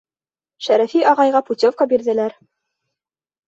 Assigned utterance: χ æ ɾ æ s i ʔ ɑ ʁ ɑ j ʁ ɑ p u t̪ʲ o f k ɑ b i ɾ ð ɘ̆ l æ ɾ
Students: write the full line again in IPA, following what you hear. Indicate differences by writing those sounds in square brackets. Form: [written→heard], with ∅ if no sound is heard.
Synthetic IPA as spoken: [χ→ʃ] æ ɾ æ [s→f] i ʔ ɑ ʁ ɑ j ʁ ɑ p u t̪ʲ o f k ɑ b i ɾ ð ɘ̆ l æ ɾ